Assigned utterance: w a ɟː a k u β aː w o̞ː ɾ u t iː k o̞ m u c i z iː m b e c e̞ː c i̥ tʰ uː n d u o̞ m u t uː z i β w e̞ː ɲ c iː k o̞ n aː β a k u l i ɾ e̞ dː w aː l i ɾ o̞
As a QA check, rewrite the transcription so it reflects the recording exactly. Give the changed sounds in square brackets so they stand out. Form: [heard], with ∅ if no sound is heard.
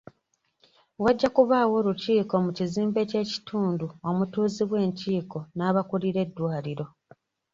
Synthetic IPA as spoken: w a ɟː a k u β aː w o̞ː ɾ u [c] iː k o̞ m u c i z iː m b e c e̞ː c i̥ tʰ uː n d u o̞ m u t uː z i β w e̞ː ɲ c iː k o̞ n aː β a k u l i ɾ e̞ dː w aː l i ɾ o̞